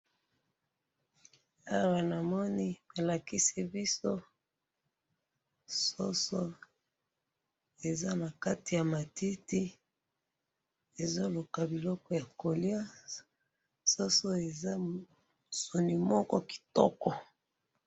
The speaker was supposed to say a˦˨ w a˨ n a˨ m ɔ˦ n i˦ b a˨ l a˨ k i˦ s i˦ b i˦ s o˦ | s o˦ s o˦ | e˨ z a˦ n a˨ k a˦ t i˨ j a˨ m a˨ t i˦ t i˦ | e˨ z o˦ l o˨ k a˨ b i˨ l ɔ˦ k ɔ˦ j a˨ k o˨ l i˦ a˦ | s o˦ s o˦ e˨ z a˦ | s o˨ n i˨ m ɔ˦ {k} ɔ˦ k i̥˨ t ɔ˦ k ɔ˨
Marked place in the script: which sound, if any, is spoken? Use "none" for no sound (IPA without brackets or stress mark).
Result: k